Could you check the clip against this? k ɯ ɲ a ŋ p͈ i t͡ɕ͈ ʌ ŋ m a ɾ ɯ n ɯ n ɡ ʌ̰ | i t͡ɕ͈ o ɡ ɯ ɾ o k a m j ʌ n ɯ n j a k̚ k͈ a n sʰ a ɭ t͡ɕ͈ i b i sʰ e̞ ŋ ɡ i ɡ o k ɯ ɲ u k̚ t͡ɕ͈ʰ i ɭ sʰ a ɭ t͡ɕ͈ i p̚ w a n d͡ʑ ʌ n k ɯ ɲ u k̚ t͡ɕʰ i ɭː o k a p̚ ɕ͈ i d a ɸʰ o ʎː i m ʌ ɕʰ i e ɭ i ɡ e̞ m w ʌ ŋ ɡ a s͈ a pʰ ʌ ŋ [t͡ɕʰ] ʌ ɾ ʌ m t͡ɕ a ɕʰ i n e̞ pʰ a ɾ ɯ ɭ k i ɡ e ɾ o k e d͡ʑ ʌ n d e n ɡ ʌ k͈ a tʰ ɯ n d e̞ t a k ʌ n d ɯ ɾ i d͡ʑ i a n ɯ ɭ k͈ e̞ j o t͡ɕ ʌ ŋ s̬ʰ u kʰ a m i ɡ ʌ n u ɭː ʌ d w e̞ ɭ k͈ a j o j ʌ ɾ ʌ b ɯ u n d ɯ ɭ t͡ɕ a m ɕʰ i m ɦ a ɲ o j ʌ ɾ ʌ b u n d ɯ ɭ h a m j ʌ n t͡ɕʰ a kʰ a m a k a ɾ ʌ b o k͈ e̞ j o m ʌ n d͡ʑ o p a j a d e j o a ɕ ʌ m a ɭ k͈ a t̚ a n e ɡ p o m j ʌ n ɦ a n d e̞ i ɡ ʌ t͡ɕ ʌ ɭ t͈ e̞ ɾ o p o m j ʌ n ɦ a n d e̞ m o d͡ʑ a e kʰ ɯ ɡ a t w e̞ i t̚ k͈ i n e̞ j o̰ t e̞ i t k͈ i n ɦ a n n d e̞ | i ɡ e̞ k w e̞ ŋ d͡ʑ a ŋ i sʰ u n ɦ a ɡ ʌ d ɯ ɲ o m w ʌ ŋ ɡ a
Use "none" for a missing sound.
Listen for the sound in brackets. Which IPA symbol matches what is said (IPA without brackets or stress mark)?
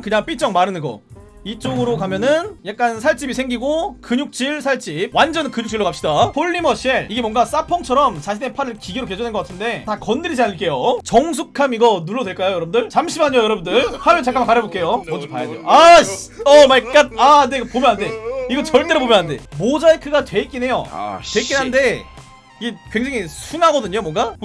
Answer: t͡ɕʰ